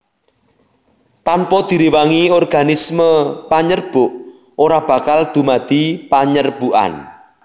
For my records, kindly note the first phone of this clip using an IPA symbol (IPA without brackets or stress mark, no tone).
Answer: t̪